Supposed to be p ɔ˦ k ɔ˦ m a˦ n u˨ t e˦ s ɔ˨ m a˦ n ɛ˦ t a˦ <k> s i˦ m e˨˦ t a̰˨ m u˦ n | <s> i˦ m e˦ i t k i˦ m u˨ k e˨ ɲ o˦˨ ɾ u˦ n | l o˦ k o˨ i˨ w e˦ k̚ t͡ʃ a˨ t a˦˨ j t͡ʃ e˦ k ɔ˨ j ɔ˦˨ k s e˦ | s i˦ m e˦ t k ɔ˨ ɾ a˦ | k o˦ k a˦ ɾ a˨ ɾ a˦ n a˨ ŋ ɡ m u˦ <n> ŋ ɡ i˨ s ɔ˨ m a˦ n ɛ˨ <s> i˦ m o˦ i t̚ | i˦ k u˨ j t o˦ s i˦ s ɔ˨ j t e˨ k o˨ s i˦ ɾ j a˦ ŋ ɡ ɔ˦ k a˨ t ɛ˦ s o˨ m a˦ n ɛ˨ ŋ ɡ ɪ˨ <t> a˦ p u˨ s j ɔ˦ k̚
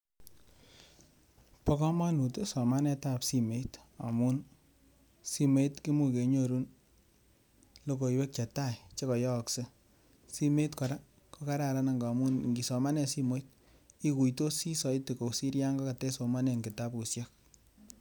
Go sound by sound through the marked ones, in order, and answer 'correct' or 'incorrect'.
incorrect: p, correct, correct, correct, correct

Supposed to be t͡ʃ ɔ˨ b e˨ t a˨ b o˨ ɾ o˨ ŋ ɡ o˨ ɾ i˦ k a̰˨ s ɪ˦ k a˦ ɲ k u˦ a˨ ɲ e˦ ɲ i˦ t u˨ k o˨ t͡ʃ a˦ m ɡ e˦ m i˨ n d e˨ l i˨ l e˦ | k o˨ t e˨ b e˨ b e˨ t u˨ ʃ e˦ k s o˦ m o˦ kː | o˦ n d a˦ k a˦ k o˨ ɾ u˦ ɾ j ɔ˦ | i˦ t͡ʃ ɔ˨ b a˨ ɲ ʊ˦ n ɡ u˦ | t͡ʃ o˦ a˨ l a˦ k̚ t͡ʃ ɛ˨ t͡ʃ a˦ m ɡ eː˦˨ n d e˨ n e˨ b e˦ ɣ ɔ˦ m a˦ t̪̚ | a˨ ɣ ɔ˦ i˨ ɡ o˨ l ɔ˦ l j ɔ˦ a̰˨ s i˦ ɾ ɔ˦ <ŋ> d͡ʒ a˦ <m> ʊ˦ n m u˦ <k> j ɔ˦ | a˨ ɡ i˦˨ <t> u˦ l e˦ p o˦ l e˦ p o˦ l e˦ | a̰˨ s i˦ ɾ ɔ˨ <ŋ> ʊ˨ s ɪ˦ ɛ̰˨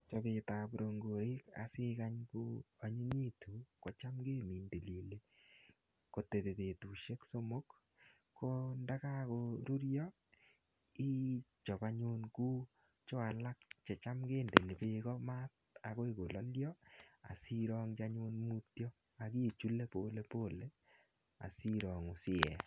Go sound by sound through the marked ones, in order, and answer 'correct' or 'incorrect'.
correct, incorrect: ɲ, incorrect: t, incorrect: t͡ʃ, correct

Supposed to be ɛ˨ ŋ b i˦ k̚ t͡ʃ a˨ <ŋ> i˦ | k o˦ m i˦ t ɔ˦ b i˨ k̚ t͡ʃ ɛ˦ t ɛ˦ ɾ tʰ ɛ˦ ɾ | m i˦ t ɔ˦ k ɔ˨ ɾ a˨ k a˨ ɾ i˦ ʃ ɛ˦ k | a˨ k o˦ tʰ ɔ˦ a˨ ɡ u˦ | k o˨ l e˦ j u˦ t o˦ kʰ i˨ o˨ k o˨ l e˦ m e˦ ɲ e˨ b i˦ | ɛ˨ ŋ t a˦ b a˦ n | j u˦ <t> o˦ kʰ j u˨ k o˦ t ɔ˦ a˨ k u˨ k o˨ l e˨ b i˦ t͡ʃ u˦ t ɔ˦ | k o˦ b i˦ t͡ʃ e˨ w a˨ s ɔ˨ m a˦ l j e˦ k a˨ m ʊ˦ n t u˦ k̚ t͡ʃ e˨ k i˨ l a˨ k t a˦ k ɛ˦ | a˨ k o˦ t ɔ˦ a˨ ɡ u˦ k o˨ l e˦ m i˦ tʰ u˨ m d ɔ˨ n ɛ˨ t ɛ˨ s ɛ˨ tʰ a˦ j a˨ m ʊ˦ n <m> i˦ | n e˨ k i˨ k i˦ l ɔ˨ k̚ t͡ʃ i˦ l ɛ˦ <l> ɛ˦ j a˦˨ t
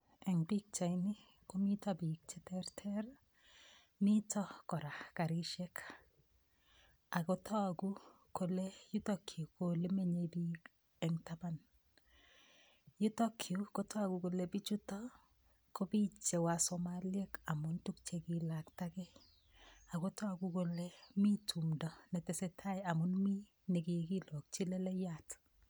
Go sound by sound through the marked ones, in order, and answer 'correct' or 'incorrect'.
incorrect: n, correct, correct, correct

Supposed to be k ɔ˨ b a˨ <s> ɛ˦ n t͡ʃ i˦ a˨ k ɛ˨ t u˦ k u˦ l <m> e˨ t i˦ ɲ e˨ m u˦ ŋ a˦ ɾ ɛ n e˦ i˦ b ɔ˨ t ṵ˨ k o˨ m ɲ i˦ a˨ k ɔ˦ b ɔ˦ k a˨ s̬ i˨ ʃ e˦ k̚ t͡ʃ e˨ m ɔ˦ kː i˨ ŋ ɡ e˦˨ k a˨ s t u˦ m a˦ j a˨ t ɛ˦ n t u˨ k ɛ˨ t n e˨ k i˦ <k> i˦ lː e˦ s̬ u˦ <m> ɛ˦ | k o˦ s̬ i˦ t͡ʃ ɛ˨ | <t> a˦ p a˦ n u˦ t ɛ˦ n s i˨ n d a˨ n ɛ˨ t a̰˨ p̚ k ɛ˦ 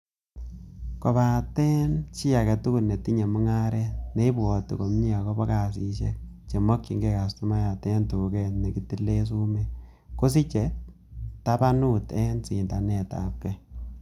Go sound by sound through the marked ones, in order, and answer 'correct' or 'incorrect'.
incorrect: t, incorrect: n, incorrect: t, correct, correct

